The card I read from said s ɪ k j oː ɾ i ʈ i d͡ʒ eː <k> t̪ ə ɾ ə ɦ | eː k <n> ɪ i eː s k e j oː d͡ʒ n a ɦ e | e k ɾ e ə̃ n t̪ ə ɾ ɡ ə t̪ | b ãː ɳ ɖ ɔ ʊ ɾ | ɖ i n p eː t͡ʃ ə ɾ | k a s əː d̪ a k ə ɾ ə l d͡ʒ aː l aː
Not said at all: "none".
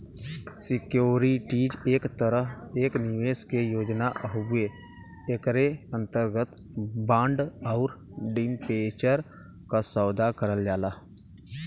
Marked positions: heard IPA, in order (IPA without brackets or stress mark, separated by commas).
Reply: k, n